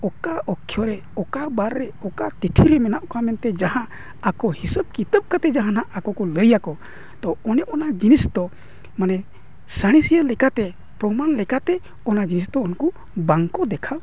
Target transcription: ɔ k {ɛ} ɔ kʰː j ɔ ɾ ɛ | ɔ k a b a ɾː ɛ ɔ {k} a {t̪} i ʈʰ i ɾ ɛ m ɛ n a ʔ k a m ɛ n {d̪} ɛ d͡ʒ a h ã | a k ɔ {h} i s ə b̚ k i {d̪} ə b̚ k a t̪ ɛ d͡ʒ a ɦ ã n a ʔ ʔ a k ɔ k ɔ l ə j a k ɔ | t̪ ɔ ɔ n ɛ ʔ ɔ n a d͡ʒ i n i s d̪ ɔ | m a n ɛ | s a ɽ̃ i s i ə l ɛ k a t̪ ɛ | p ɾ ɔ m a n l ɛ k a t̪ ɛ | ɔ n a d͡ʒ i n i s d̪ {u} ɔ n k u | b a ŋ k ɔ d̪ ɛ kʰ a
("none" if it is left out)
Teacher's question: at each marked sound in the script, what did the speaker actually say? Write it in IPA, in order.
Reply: a, k, t̪, t̪, h, t̪, ɔ

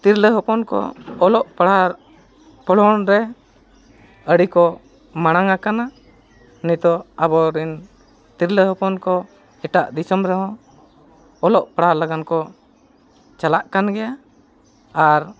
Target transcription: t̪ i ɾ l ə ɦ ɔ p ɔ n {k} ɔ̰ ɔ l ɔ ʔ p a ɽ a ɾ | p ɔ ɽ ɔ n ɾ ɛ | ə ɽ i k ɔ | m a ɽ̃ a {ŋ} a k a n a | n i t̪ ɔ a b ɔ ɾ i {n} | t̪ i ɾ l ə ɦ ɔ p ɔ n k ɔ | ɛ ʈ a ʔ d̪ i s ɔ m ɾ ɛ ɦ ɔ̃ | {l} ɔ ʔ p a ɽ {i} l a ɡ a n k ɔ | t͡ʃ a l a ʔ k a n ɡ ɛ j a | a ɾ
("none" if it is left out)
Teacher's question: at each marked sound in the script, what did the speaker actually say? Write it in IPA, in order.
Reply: k, ŋ, n, l, a

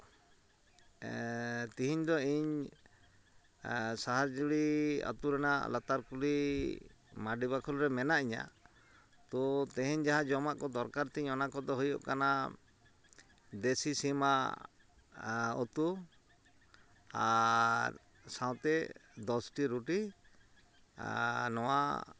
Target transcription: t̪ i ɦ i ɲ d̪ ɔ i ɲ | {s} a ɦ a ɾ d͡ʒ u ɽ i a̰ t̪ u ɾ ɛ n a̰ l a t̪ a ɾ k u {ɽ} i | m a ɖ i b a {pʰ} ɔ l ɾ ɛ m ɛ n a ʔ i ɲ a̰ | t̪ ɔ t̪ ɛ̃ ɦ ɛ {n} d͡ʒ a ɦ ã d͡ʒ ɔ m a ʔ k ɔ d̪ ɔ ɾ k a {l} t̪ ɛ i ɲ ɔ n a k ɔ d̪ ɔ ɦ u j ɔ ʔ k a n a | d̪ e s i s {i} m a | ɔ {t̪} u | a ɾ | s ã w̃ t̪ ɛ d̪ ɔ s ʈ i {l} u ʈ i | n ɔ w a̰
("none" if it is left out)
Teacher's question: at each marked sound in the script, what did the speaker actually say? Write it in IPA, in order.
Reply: s, l, kʰ, ɲ, ɾ, i, t̪, ɾ

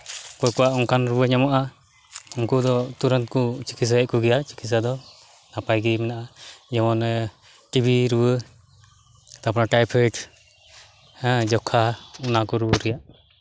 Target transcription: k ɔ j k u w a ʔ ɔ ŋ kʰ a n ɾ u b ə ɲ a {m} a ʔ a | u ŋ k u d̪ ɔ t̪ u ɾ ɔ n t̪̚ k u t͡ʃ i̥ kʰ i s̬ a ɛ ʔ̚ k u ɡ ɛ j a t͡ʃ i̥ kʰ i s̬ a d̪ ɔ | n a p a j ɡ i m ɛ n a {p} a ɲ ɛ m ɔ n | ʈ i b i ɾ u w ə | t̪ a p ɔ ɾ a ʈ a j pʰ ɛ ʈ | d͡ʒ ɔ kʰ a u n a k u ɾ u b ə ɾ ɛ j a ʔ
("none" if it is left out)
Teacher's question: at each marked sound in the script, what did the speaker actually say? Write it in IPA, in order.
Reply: m, ʔ

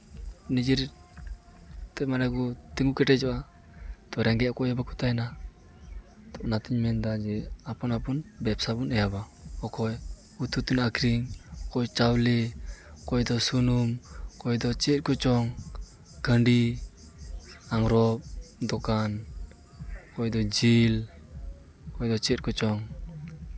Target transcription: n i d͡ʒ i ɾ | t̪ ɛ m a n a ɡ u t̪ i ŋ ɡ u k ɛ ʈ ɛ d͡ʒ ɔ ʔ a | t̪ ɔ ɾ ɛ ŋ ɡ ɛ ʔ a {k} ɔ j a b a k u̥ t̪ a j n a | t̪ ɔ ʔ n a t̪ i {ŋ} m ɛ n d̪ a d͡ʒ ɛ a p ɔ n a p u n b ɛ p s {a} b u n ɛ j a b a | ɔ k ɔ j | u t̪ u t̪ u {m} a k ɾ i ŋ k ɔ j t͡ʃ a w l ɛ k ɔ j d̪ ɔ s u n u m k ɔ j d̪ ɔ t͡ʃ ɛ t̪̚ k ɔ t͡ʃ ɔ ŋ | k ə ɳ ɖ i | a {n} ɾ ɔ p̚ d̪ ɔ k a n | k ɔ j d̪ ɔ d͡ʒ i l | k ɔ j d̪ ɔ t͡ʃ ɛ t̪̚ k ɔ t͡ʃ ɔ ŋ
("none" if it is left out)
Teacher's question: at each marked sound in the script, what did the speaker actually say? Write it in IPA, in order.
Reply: k, ɲ, a, n, ŋ

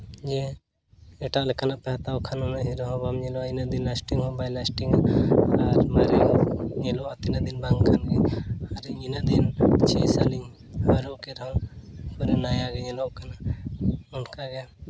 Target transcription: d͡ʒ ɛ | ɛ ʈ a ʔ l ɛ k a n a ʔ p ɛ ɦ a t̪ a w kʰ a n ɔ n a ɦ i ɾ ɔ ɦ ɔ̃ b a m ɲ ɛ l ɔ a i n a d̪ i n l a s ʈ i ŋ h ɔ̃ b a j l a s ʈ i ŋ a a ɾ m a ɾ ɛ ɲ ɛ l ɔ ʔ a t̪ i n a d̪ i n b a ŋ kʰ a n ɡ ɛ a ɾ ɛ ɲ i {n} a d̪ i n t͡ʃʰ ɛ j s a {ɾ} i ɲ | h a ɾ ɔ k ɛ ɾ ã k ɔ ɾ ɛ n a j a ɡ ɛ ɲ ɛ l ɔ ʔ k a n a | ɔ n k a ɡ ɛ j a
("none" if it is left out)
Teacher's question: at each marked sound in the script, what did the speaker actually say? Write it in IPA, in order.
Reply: n, l

